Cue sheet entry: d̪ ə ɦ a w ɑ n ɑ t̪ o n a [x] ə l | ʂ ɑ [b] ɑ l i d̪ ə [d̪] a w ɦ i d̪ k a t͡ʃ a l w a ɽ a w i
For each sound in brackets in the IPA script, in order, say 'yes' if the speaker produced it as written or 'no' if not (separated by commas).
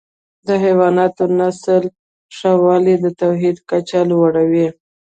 no, no, no